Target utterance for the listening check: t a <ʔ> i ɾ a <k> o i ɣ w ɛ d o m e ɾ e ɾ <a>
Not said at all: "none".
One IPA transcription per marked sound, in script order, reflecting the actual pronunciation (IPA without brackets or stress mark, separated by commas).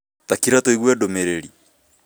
k, t, i